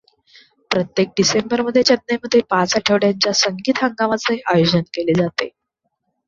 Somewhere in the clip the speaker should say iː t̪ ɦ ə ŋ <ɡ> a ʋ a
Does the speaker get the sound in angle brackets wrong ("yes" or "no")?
no